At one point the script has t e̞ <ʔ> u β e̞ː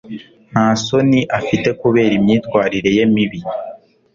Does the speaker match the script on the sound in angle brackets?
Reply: no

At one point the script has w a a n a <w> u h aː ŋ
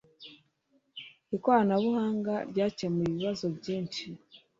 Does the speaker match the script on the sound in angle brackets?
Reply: no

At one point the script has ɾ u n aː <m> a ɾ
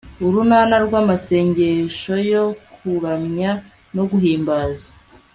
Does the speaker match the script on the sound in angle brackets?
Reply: no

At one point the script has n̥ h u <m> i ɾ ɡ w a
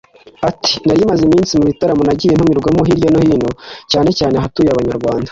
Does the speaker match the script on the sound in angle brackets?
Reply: yes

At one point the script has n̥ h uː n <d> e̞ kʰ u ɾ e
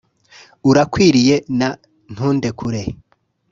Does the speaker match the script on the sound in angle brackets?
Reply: yes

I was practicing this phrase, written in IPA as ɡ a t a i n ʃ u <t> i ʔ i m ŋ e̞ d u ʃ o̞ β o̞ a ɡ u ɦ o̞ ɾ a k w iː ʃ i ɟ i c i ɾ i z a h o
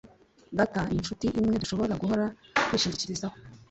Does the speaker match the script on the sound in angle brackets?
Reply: yes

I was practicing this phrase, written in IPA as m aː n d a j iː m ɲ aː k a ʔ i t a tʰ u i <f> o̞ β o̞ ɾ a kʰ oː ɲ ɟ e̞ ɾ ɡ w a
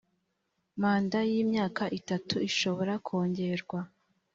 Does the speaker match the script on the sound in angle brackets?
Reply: no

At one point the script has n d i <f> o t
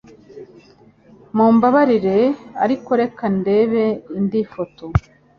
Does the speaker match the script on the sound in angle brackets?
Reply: yes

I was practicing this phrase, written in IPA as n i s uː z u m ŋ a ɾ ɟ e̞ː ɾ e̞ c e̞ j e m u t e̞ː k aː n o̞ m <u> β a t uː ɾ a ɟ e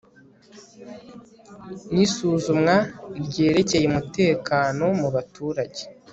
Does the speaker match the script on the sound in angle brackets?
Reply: yes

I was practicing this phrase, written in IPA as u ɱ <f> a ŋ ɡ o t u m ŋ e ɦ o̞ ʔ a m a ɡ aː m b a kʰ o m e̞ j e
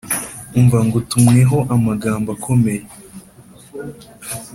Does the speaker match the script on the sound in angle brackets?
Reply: no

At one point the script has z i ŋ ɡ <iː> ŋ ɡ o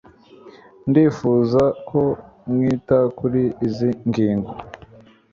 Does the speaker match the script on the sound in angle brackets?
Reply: yes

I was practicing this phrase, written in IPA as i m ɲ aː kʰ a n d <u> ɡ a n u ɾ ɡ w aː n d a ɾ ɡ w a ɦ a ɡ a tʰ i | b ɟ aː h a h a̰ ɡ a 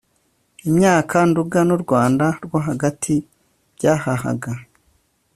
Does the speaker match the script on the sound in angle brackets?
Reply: yes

